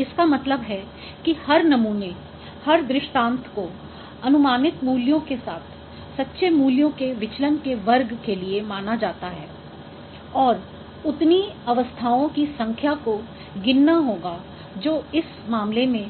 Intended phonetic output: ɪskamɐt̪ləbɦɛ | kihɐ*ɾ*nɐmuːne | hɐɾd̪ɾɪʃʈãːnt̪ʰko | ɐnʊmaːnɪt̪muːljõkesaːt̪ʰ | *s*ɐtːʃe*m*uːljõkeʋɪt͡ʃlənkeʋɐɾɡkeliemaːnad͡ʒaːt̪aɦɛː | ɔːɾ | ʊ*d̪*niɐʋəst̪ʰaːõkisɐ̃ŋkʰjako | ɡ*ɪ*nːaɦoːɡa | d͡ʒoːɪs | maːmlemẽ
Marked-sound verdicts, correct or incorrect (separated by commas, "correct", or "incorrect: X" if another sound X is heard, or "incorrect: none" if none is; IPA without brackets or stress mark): correct, correct, correct, incorrect: t̪, correct